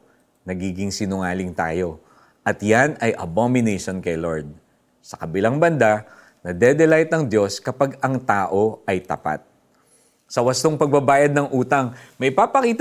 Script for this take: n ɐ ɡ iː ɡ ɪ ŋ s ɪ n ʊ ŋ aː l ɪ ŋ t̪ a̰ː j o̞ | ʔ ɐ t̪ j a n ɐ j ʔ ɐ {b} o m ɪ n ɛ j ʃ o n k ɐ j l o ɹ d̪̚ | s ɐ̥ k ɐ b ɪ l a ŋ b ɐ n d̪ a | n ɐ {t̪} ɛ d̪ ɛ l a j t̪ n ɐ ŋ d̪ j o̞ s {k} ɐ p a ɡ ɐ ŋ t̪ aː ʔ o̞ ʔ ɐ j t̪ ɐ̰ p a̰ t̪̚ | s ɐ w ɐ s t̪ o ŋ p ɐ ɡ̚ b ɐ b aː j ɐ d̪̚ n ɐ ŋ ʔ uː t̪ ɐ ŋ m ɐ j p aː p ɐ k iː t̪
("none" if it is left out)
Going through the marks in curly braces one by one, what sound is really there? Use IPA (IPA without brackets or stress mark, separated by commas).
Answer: b, d̪, k